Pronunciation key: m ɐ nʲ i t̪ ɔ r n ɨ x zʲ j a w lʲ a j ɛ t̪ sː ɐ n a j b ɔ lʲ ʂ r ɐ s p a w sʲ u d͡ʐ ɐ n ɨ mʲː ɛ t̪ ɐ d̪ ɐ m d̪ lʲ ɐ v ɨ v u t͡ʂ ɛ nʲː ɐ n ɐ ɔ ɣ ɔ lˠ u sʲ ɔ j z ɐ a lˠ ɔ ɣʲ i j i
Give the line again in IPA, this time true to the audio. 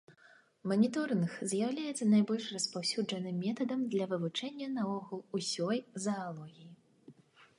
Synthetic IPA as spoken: m ɐ nʲ i t̪ ɔ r n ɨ x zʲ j a w lʲ a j ɛ t̪ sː ɐ n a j b ɔ lʲ ʂ r ɐ s p a w sʲ u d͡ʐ ɐ n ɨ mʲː ɛ t̪ ɐ d̪ ɐ m d̪ lʲ ɐ v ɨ v u t͡ʂ ɛ nʲː ɐ n ɐ ɔ ɣ u lˠ u sʲ ɔ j z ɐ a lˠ ɔ ɣʲ i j i

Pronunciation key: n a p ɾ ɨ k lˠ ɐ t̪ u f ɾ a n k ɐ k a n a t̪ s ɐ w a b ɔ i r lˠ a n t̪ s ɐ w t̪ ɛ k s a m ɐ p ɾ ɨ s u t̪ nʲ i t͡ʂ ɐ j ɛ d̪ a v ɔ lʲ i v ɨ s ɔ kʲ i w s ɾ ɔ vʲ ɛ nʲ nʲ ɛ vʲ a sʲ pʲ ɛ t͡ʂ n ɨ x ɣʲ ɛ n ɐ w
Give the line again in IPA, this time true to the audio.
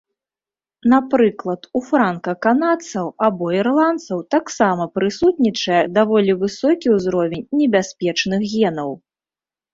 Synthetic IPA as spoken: n a p ɾ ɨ k lˠ ɐ t̪ u f ɾ a n k ɐ k a n a t̪ s ɐ w a b ɔ i r lˠ a n t̪ s ɐ w t̪ a k s a m ɐ p ɾ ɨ s u t̪ nʲ i t͡ʂ ɐ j ɛ d̪ a v ɔ lʲ i v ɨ s ɔ kʲ i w z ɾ ɔ vʲ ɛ nʲ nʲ ɛ bʲ a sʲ pʲ ɛ t͡ʂ n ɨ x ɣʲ ɛ n ɐ w

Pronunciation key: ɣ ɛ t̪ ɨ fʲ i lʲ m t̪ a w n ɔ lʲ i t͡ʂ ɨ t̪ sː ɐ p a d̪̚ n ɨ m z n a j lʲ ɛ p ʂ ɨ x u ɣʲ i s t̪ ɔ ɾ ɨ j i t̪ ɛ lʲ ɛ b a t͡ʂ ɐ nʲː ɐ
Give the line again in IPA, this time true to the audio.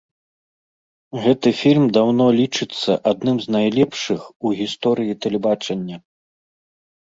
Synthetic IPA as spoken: ɣ ɛ t̪ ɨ fʲ i lʲ m d̪ a w n ɔ lʲ i t͡ʂ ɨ t̪ sː ɐ ʔ a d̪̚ n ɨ m z n a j lʲ ɛ p ʂ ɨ x u ɣʲ i s t̪ ɔ ɾ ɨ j i t̪ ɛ lʲ ɛ b a t͡ʂ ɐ nʲː ɐ

